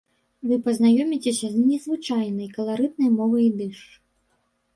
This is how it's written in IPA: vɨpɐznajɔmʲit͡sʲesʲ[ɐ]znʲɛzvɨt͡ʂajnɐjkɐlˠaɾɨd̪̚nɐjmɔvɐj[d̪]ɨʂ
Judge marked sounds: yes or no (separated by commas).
yes, yes